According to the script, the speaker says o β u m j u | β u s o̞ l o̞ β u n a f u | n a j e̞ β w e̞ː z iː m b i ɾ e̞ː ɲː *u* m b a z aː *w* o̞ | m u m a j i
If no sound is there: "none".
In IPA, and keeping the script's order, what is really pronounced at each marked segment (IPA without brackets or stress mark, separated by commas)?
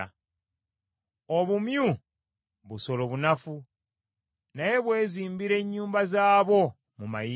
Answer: uː, β